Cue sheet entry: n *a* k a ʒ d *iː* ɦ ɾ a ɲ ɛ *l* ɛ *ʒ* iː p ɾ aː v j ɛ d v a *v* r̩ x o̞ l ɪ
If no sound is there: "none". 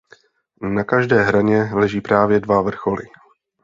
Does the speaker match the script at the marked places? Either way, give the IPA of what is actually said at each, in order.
a, ɛː, l, ʒ, v

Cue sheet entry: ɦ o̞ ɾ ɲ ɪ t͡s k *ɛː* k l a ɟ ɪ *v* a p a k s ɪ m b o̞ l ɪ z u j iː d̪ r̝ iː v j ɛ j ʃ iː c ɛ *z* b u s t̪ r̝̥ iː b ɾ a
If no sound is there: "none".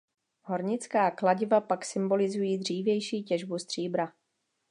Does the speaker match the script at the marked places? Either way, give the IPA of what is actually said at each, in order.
aː, v, ʒ

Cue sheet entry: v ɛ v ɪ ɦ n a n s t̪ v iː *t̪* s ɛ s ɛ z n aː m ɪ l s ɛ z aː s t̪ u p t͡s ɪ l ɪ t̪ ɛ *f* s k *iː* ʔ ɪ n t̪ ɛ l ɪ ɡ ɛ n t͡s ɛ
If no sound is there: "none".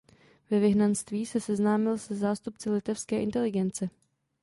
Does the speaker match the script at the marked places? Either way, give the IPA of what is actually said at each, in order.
none, f, ɛː

